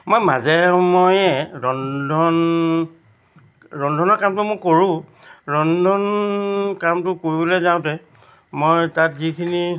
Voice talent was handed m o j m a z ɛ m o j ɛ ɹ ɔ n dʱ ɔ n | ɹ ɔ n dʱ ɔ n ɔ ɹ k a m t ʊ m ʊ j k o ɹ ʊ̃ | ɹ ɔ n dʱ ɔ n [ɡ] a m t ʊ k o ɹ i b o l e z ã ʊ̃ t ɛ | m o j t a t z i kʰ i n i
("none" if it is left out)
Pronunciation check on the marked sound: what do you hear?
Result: k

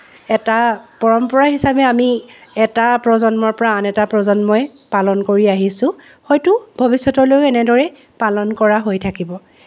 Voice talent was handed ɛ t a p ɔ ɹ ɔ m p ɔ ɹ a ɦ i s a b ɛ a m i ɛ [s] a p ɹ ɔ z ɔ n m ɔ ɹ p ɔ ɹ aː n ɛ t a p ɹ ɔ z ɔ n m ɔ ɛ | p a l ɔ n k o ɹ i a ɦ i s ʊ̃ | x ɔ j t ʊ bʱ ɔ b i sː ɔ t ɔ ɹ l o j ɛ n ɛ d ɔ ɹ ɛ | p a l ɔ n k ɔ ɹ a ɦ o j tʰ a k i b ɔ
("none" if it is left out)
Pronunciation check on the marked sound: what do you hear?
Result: t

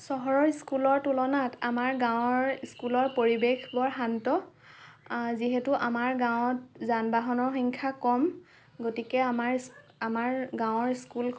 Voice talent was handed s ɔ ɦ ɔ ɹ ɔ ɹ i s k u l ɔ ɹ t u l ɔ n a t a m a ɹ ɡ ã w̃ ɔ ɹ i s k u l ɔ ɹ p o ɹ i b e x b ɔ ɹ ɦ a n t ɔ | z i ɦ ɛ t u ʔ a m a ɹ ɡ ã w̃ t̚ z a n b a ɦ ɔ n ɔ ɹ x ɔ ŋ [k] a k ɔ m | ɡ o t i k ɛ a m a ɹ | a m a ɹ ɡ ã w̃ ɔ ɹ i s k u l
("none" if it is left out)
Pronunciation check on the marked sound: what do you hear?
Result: kʰ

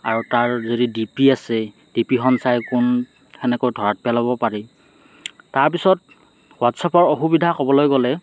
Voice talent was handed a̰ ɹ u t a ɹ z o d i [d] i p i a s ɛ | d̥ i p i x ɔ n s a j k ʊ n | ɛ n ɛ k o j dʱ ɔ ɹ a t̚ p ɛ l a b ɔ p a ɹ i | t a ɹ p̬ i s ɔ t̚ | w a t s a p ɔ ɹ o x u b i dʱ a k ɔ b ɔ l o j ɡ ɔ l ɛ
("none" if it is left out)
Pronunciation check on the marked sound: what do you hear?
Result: d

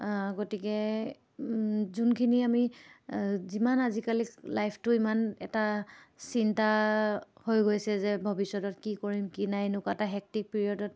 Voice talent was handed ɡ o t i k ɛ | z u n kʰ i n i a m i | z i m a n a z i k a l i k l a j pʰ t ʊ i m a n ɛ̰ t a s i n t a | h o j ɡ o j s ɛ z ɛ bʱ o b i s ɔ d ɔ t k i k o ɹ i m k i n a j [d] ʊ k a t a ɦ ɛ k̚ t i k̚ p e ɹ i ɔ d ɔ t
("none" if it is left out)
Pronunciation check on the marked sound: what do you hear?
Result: n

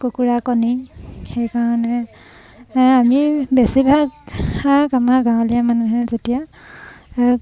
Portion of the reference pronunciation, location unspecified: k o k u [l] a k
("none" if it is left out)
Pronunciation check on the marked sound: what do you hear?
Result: ɹ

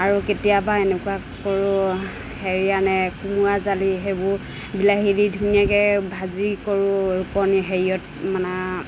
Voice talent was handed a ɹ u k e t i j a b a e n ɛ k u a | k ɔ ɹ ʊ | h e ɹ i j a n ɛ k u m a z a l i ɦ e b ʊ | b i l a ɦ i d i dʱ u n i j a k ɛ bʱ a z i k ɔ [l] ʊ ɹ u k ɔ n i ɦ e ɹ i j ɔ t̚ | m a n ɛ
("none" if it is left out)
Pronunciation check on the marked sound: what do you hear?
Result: ɹ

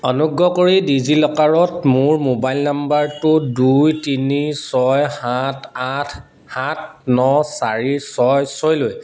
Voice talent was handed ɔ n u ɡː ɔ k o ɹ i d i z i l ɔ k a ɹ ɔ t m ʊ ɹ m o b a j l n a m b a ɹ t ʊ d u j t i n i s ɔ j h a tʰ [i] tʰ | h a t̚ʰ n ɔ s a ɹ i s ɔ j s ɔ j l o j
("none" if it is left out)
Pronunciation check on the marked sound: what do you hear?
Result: a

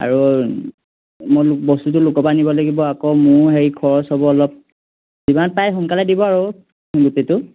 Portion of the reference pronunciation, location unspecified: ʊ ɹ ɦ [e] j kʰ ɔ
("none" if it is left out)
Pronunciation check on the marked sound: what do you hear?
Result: e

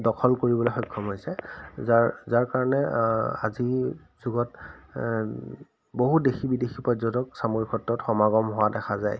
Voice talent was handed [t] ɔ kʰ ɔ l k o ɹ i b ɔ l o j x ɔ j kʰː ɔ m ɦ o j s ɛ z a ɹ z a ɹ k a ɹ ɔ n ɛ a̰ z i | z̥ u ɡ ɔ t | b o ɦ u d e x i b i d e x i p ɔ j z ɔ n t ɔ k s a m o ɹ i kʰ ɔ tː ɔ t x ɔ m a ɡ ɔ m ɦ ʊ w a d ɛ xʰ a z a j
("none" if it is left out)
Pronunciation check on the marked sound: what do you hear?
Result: d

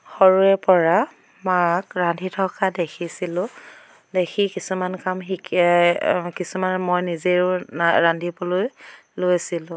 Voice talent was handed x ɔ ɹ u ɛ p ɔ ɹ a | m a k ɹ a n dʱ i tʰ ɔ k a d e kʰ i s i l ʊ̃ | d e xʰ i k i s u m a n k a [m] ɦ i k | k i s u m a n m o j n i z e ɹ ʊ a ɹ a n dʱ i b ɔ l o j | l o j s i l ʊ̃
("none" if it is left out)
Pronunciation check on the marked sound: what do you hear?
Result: m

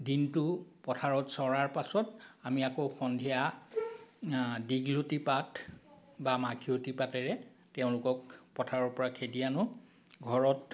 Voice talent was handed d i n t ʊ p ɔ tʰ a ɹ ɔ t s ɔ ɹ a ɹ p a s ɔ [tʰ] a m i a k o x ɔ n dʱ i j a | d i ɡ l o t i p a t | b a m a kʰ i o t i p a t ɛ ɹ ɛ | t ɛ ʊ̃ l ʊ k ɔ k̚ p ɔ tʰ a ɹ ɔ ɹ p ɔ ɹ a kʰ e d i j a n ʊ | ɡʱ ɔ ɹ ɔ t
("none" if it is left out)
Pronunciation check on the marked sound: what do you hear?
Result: t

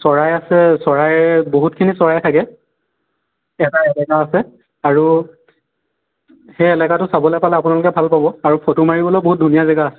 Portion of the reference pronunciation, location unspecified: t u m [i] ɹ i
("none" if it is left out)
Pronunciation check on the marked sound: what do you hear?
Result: a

